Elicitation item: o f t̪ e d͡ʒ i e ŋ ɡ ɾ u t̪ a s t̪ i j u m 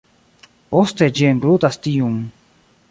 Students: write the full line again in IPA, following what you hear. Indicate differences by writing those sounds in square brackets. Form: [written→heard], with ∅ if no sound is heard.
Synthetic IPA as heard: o [f→s] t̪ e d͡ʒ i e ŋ ɡ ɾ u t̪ a s t̪ i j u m